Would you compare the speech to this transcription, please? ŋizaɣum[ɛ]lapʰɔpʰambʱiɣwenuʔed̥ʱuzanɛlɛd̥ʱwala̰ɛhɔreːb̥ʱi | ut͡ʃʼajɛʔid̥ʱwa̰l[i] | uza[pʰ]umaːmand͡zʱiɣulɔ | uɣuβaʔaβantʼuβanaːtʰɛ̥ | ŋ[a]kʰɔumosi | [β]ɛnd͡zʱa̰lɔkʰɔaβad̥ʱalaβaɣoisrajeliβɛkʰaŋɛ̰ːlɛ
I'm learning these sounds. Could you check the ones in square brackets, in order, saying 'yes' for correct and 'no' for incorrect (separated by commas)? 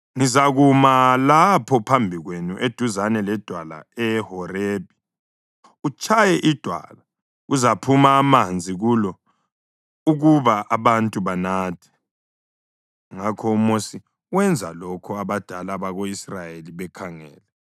no, no, yes, yes, no